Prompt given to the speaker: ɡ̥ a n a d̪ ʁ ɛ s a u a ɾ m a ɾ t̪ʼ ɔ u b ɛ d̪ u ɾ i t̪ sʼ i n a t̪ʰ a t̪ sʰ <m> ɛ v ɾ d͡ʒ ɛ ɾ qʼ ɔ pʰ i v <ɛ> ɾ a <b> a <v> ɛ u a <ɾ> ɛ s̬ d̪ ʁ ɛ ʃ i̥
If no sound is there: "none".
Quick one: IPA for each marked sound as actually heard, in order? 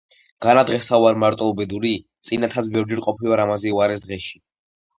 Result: b, a, m, z, ɾ

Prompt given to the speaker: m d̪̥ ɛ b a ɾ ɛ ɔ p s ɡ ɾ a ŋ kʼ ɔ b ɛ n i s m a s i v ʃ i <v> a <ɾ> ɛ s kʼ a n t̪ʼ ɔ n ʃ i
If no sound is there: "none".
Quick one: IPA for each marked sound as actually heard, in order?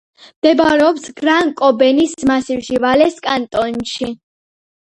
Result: v, l

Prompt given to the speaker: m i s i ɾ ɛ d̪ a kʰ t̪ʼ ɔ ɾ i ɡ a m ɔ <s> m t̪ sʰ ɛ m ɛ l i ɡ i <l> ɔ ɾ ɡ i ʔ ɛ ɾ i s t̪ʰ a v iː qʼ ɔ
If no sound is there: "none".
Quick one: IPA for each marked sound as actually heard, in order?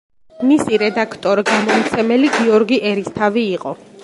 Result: none, none

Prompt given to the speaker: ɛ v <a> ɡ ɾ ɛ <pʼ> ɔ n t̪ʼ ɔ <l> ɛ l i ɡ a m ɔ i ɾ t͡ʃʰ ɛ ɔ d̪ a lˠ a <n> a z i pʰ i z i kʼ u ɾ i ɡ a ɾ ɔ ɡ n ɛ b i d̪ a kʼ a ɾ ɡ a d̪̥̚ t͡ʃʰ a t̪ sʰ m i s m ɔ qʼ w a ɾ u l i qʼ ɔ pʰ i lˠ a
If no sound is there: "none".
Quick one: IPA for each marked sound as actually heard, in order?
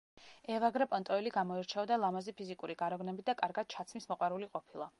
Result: a, pʼ, none, m

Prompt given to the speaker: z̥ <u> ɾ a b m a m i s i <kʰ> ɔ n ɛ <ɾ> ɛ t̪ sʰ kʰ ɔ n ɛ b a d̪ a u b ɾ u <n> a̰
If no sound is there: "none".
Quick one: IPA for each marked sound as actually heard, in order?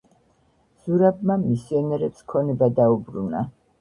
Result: u, none, ɾ, n

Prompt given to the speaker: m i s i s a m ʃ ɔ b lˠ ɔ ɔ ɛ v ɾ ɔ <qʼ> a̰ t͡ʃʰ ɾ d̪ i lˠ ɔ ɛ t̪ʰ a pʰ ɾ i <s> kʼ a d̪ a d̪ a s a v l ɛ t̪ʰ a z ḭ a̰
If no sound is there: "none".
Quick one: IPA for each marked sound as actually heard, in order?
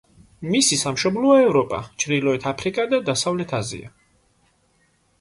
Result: pʼ, none

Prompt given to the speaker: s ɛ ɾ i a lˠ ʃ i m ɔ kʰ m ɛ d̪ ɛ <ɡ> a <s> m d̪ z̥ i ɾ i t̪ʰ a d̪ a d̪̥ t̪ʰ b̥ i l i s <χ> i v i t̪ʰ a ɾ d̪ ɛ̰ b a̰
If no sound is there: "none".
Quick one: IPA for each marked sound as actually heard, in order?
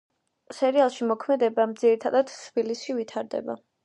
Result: b, none, ʃ

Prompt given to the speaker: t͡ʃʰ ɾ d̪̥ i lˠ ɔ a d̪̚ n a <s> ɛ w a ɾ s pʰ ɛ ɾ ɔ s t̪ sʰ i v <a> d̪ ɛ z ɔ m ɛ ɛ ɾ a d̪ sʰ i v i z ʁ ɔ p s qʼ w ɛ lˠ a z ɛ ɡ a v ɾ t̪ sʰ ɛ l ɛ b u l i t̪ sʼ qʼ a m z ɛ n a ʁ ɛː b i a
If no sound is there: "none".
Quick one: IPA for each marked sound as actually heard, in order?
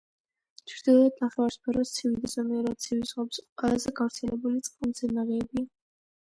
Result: χ, i

